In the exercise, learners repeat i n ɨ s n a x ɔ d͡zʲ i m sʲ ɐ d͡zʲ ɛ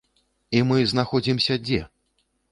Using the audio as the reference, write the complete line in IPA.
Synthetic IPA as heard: i m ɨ z n a x ɔ d͡zʲ i m sʲ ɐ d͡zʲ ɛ

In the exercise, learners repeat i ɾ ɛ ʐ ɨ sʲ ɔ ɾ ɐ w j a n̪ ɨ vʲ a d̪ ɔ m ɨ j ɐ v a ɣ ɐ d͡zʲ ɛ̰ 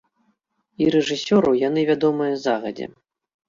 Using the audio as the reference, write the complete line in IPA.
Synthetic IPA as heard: i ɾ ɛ ʐ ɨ sʲ ɔ ɾ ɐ w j a n̪ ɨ vʲ a d̪ ɔ m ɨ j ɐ z a ɣ ɐ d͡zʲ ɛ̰

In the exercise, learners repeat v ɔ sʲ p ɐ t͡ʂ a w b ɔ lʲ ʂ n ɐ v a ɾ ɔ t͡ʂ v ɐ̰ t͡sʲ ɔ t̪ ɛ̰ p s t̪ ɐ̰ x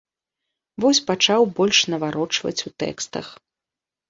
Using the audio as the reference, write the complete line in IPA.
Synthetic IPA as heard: v ɔ sʲ p a t͡ʂ a w b ɔ lʲ ʂ n ɐ v a ɾ ɔ t͡ʂ v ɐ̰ t͡sʲ u t̪ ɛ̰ k s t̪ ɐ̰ x

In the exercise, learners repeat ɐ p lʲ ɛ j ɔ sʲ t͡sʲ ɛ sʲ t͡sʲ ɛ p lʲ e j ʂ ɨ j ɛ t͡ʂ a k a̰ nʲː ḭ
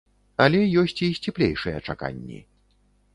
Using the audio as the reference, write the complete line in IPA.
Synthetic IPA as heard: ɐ lʲ ɛ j ɔ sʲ t͡sʲ i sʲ t͡sʲ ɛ p lʲ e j ʂ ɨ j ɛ t͡ʂ a k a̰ nʲː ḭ

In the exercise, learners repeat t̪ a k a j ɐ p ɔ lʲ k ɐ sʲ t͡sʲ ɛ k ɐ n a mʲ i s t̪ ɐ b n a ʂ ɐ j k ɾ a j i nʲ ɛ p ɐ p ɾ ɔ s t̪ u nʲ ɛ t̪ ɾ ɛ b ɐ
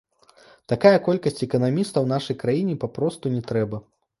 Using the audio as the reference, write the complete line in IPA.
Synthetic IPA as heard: t̪ a k a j ɐ k ɔ lʲ k ɐ sʲ t͡sʲ ɛ k ɐ n a mʲ i s t̪ ɐ w n a ʂ ɐ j k ɾ a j i nʲ ɛ p a p ɾ ɔ s t̪ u nʲ ɛ t̪ ɾ ɛ b ɐ

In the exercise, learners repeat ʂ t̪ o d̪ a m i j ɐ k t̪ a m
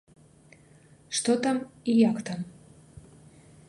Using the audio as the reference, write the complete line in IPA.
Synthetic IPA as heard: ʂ t̪ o t̪ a m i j a k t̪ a m

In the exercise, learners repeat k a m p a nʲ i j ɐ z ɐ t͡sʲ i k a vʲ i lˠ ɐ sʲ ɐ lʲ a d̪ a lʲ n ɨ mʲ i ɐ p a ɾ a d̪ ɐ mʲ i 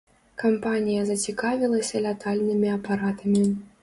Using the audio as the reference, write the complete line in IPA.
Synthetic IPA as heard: k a m p a nʲ i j ɐ z ɐ t͡sʲ i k a vʲ i lˠ ɐ sʲ ɐ lʲ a t̪ a lʲ n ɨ mʲ i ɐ p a ɾ a t̪ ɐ mʲ i

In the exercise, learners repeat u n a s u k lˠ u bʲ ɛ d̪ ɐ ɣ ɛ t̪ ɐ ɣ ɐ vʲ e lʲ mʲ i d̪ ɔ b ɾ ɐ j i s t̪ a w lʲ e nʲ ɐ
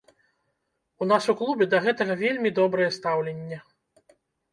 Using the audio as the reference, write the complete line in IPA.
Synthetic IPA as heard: u n a s u k lˠ u bʲ ɛ d̪ ɐ ɣ ɛ t̪ ɐ ɣ ɐ vʲ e lʲ mʲ i d̪ ɔ b ɾ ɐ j ɛ s t̪ a w lʲ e nʲː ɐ

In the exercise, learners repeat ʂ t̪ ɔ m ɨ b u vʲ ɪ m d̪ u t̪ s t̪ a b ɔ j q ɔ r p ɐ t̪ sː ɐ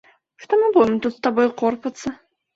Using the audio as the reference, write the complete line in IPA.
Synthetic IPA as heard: ʂ t̪ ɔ m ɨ b u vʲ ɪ m t̪ u t̪ s t̪ a b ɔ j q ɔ r p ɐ t̪ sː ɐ

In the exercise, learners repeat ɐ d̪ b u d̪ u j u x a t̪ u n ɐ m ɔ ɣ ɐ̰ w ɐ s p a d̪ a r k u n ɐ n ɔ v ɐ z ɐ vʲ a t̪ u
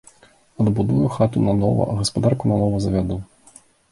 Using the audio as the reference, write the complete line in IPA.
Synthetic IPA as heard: ɐ d̪ b u d̪ u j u x a t̪ u n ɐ n ɔ v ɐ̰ ɣ ɐ s p a d̪ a r k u n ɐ n ɔ v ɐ z ɐ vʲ a d̪ u

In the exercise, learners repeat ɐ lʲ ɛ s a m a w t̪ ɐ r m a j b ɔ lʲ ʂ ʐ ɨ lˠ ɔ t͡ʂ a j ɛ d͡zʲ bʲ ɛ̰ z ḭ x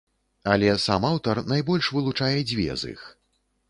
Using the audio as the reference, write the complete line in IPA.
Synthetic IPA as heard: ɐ lʲ ɛ s a m a w t̪ ɐ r n a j b ɔ lʲ ʂ v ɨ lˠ u t͡ʂ a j ɛ d͡zʲ vʲ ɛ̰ z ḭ x

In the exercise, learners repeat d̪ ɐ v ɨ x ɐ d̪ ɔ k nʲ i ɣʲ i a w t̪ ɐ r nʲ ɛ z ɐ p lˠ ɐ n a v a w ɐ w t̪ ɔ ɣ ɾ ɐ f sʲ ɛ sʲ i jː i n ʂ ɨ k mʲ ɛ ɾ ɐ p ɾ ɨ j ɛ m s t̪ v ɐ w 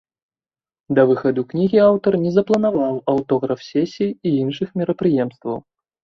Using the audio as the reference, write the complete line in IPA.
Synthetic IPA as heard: d̪ ɐ v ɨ x ɐ d̪ u k nʲ i ɣʲ i a w t̪ ɐ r nʲ ɛ z ɐ p lˠ ɐ n a v a w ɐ w t̪ ɔ ɣ ɾ ɐ f sʲ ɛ sʲ i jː i n ʂ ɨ x mʲ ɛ ɾ ɐ p ɾ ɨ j ɛ m s t̪ v ɐ w

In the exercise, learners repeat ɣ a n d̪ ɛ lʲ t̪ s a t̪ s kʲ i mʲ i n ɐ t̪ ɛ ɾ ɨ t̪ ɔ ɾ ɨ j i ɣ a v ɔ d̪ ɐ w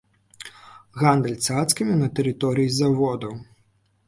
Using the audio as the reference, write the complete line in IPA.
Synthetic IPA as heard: ɣ a n d̪ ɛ lʲ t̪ s a t̪ s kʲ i mʲ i n ɐ t̪ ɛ ɾ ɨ t̪ ɔ ɾ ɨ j i z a v ɔ d̪ ɐ w

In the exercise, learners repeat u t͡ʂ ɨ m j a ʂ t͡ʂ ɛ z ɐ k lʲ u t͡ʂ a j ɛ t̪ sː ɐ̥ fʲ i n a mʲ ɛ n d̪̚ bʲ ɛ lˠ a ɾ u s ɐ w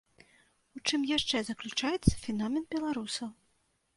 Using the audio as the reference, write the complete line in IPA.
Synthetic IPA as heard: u t͡ʂ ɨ m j a ʂ t͡ʂ ɛ z ɐ k lʲ u t͡ʂ a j ɛ t̪ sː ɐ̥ fʲ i n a mʲ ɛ n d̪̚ bʲ ɛ lˠ a ɾ u s ɐ w

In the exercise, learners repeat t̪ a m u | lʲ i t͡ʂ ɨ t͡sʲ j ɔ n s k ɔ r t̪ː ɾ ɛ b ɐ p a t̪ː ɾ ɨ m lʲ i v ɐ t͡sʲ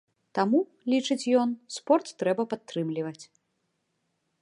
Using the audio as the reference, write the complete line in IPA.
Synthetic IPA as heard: t̪ a m u | lʲ i t͡ʂ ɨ t͡sʲ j ɔ n s p ɔ r t̪ː ɾ ɛ b ɐ p a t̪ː ɾ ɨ m lʲ i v ɐ t͡sʲ

